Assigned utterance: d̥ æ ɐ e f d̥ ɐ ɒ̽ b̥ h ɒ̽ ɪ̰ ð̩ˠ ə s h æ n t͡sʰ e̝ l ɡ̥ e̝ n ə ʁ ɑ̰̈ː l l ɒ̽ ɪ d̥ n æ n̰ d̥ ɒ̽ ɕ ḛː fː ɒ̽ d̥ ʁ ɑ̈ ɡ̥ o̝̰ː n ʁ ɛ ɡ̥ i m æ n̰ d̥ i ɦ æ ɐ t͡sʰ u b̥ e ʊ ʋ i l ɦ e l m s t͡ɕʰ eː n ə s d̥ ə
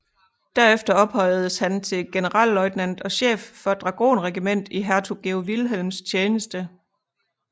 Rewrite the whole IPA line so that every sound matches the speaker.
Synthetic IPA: d̥ æ ɐ e f d̥ ɐ ɒ̽ b̥ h ɒ̽ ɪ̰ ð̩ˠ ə s h æ n t͡sʰ e̝ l ɡ̥ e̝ n ə ʁ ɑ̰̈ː l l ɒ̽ ɪ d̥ n æ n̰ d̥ ɒ̽ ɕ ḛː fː ɒ̽ d̥ ʁ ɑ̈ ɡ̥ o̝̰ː n ʁ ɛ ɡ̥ i m e n̰ d̥ i ɦ æ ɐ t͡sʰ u ɡ̥ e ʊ ʋ i l ɦ e l m s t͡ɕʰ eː n ə s d̥ ə